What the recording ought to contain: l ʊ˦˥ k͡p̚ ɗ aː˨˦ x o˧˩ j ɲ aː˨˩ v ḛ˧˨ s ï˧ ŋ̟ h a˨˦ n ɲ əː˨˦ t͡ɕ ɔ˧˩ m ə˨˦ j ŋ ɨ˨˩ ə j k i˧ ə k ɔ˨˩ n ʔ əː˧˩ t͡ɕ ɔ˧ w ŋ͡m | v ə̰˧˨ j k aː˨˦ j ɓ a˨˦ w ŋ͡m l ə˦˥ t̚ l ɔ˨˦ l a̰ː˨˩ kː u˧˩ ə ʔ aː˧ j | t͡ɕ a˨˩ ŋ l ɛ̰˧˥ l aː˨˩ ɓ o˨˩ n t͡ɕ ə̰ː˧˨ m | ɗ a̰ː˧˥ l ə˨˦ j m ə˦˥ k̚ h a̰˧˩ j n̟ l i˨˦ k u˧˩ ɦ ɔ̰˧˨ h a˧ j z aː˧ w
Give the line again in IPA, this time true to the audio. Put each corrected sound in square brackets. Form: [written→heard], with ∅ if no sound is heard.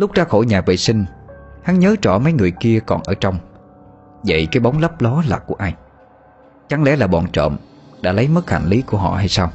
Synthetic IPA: l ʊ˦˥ k͡p̚ ɗ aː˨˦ x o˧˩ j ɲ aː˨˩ v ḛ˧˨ s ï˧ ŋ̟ h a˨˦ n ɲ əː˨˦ t͡ɕ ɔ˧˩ m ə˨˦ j ŋ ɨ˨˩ ə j k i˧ ə k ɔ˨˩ n ʔ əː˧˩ t͡ɕ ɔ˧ w ŋ͡m | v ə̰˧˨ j k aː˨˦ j ɓ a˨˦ w ŋ͡m l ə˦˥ [t̚→p̚] l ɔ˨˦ l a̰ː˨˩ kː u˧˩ ə ʔ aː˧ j | t͡ɕ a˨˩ ŋ l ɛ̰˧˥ l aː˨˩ ɓ [o˨˩→ɔ˨˩] n t͡ɕ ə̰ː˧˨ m | ɗ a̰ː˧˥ l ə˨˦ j m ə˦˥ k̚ h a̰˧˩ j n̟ l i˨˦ k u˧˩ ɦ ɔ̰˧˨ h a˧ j [z→s] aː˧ w